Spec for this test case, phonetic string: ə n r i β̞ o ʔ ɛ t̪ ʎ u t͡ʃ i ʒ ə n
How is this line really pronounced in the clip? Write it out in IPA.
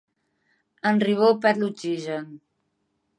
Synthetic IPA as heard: ə n r i β̞ o p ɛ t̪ l u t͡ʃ i ʒ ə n